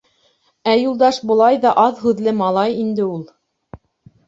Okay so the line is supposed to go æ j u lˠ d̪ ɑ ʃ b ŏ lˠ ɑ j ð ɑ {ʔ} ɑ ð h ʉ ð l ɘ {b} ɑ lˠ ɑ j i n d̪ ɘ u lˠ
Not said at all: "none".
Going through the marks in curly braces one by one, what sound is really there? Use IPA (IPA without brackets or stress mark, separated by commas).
ʔ, m